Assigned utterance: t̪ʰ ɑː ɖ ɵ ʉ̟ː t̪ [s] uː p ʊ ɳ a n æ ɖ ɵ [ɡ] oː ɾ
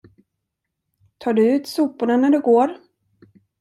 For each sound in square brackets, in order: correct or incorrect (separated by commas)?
correct, correct